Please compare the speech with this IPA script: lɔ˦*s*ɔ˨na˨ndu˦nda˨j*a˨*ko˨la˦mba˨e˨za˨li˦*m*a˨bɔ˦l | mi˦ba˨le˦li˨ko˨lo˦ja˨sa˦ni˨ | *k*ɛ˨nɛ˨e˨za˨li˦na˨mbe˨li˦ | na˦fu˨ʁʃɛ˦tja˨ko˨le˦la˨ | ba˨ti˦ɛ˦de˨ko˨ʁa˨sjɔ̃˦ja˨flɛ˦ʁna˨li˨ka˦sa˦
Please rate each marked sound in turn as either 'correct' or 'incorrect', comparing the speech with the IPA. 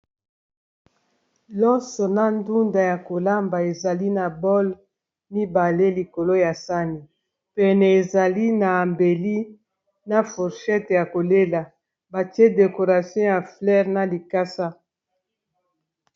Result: correct, correct, incorrect: n, incorrect: p

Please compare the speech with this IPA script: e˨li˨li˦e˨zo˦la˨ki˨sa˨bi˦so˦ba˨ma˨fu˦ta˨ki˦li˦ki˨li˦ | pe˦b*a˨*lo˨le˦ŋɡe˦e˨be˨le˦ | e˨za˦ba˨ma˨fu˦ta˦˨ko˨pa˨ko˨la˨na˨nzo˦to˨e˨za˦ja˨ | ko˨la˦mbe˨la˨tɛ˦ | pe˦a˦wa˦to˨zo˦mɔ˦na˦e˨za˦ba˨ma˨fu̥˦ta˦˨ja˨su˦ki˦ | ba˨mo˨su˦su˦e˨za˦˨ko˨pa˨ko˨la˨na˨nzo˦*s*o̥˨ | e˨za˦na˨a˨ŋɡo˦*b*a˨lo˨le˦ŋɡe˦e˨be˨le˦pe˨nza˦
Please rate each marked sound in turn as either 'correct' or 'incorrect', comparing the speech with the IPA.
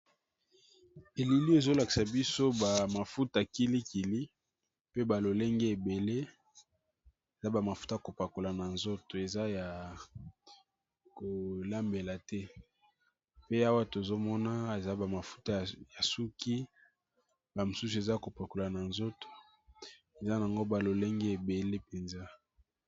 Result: correct, incorrect: t, correct

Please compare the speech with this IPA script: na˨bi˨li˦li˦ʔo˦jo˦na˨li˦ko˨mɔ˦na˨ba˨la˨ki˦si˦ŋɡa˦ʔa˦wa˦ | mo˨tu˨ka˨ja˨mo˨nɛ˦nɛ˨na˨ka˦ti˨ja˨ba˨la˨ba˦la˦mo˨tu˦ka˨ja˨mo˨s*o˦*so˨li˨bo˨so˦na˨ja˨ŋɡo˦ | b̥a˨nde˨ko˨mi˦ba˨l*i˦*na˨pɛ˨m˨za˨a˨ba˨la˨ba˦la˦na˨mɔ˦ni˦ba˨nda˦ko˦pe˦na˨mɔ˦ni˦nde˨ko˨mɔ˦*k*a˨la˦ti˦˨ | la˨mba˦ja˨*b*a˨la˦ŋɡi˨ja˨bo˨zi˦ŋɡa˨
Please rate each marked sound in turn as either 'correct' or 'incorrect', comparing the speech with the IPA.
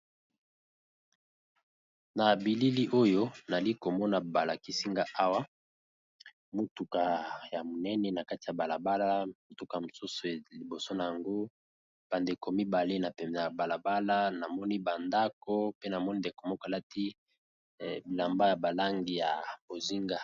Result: incorrect: u˦, incorrect: e˦, correct, correct

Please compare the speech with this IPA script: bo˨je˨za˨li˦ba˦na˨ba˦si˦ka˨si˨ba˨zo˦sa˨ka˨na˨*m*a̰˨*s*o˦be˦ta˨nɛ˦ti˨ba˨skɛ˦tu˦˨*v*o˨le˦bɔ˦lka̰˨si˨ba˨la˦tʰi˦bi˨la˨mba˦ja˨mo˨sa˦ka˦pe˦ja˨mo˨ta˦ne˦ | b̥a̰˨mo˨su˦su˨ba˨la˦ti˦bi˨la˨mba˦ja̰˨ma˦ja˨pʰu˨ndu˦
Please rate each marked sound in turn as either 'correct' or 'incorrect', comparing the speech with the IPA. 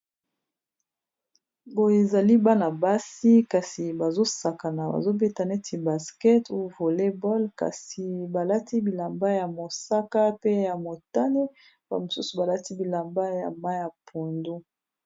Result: incorrect: b, incorrect: z, correct

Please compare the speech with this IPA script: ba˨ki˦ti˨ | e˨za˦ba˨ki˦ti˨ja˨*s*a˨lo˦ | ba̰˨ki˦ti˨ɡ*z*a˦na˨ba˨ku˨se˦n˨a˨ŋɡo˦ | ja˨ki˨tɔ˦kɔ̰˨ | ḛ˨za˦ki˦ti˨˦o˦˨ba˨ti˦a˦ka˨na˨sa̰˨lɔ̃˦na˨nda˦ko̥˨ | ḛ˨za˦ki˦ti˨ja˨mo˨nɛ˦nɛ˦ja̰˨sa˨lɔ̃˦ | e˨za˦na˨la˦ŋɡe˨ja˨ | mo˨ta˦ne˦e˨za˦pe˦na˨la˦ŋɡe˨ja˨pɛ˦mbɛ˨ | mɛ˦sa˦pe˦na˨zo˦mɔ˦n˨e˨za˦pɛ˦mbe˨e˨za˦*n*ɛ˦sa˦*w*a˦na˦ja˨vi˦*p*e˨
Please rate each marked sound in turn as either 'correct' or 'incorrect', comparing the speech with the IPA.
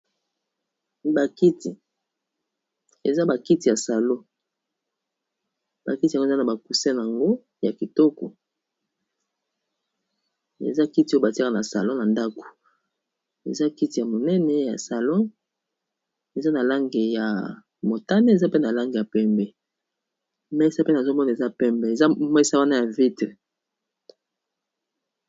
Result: correct, correct, incorrect: m, correct, incorrect: t

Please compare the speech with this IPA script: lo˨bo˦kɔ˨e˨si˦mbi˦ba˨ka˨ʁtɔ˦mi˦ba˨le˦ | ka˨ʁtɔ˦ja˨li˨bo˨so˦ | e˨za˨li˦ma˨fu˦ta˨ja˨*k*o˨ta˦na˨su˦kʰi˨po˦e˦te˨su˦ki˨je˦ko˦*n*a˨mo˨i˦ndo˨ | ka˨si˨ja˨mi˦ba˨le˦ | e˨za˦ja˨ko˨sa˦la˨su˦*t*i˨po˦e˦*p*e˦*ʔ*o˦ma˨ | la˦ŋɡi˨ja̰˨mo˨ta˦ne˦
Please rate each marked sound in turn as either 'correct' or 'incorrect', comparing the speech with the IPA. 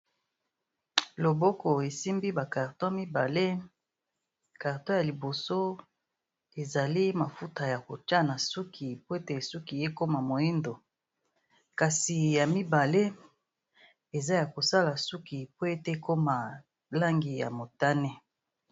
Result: correct, incorrect: m, incorrect: k, incorrect: t, incorrect: k

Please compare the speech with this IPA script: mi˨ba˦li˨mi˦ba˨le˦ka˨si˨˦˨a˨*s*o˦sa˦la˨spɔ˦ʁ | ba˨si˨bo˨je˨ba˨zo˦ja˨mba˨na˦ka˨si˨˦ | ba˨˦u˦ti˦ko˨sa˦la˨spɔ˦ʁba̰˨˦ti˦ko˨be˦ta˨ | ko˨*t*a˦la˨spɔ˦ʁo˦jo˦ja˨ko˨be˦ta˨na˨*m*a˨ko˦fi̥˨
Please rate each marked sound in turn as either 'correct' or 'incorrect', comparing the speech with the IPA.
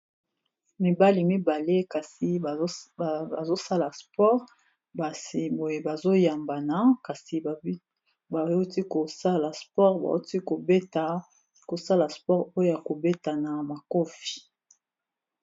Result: incorrect: z, incorrect: s, correct

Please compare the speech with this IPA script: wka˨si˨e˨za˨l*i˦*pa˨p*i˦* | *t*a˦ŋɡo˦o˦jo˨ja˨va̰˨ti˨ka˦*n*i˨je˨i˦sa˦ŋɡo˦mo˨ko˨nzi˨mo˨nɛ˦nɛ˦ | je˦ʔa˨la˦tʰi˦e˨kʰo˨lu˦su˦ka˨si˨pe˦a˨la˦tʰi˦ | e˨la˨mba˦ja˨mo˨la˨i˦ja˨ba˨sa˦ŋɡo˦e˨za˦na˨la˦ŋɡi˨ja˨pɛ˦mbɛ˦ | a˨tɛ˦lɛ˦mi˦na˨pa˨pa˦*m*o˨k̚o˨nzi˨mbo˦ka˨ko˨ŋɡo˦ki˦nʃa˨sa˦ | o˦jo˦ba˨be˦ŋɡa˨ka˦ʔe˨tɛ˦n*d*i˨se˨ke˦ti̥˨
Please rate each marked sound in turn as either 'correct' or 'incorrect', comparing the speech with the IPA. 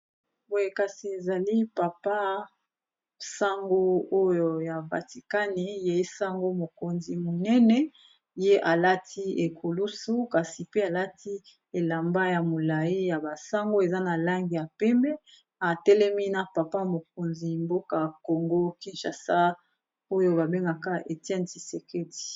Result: correct, incorrect: a˦, incorrect: s, correct, correct, incorrect: t

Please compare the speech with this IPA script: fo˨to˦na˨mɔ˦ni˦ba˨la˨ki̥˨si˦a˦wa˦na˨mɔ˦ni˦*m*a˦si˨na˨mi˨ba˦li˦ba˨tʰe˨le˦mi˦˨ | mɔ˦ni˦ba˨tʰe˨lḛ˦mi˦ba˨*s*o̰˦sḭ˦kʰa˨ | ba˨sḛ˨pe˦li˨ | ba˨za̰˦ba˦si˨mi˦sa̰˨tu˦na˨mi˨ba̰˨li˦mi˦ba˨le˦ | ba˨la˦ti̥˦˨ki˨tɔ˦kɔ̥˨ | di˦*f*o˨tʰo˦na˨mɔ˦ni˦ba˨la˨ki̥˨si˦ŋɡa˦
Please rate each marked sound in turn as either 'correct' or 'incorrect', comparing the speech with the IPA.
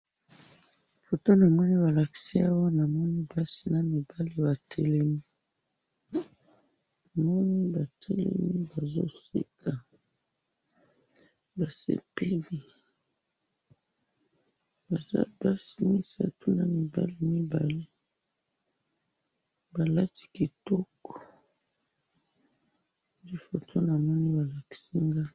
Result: incorrect: b, incorrect: z, correct

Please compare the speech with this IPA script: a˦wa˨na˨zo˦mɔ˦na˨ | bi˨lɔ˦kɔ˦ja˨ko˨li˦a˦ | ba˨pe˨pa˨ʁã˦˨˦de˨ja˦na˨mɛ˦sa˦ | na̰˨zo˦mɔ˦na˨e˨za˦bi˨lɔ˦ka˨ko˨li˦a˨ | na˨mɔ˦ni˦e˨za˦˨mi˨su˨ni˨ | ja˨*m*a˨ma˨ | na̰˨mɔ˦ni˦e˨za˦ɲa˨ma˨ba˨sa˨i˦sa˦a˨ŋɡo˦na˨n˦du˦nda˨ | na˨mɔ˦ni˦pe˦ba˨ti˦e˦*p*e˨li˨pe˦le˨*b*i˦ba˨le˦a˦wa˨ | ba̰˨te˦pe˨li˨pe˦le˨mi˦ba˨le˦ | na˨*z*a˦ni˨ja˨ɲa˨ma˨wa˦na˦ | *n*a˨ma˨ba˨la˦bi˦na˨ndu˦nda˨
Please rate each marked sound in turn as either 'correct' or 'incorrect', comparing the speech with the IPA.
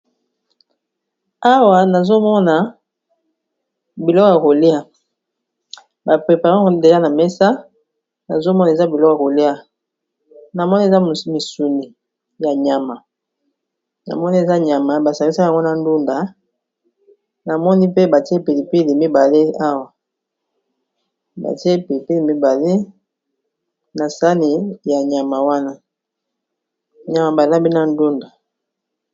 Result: incorrect: ɲ, correct, incorrect: m, incorrect: s, incorrect: ɲ

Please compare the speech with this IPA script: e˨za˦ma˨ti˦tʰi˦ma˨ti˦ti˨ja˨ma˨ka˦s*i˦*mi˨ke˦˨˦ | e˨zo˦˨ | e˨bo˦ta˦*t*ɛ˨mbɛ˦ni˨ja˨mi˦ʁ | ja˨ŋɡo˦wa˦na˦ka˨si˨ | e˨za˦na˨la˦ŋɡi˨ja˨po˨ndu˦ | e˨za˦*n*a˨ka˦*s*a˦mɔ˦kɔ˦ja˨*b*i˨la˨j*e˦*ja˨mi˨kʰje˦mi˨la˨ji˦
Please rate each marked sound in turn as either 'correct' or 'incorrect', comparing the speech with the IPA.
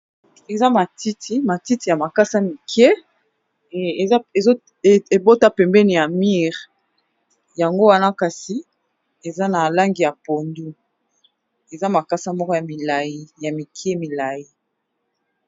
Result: incorrect: a˦, incorrect: p, incorrect: m, correct, incorrect: m, incorrect: i˦

